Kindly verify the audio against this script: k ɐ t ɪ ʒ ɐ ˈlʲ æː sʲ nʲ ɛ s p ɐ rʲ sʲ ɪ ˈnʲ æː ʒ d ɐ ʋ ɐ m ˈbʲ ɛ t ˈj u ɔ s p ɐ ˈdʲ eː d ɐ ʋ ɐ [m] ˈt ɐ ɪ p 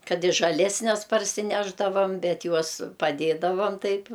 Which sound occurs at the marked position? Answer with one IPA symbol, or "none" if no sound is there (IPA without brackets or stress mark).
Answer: m